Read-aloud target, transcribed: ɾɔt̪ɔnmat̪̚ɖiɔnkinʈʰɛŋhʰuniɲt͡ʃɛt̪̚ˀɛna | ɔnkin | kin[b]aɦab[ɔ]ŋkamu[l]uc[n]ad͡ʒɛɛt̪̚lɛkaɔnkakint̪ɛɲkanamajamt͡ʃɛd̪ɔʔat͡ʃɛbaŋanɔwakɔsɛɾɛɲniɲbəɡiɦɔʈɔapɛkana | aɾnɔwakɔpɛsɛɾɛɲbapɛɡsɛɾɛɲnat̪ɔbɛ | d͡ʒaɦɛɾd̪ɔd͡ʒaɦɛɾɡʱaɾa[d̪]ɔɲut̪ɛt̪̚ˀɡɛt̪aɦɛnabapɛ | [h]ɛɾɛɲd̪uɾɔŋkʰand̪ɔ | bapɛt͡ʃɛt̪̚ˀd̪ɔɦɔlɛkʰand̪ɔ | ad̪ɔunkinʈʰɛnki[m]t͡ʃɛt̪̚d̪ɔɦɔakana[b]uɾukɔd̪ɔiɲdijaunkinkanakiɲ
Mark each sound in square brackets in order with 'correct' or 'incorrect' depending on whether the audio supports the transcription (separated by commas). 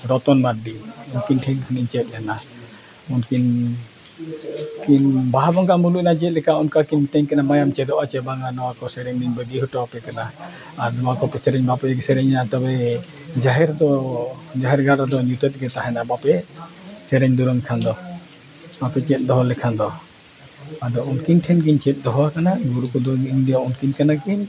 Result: correct, correct, correct, correct, correct, incorrect, incorrect, incorrect